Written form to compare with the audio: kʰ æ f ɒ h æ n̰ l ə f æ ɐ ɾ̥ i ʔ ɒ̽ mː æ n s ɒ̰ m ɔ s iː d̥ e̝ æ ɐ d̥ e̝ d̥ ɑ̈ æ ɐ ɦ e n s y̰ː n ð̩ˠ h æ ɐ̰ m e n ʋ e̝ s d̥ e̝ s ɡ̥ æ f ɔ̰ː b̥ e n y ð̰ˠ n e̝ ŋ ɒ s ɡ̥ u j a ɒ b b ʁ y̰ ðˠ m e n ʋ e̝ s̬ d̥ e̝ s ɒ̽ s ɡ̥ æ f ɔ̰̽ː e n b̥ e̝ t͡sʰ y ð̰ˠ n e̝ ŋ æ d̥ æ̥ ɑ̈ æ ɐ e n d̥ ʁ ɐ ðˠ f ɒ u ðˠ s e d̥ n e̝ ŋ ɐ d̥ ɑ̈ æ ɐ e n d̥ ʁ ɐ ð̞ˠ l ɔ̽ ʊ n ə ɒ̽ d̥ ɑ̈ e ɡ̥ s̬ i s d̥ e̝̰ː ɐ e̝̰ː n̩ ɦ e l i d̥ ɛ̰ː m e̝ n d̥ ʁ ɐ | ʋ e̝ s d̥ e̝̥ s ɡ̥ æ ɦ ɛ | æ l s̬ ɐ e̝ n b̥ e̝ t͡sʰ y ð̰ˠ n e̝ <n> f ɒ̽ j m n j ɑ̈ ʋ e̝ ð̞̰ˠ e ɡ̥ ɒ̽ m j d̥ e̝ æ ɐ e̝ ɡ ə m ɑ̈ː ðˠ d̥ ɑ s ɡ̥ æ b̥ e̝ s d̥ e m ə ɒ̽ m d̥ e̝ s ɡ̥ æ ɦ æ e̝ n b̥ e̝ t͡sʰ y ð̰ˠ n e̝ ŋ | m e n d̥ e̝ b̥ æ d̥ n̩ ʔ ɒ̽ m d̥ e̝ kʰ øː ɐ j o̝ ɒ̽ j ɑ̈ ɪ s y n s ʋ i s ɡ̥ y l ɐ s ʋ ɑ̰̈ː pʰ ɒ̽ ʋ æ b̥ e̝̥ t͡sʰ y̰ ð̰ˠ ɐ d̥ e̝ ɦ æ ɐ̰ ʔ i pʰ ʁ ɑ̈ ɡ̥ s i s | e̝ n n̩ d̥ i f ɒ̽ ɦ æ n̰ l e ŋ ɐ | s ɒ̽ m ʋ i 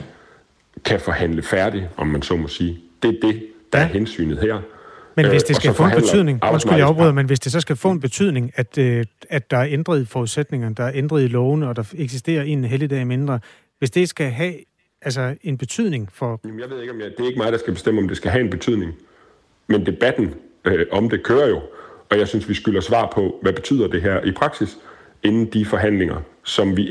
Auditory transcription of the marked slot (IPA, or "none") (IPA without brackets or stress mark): ŋ